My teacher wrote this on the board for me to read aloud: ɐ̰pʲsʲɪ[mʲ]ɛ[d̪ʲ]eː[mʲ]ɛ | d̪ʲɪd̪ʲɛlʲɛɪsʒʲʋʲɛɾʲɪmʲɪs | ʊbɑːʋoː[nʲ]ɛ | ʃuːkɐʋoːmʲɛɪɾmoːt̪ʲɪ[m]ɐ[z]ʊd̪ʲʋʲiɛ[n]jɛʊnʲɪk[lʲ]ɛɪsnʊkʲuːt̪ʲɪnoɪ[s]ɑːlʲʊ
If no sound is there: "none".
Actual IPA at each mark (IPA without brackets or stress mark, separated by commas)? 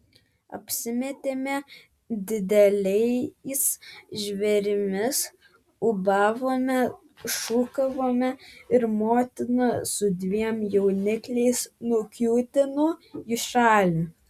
mʲ, t̪ʲ, mʲ, mʲ, n, s, m, lʲ, ʃ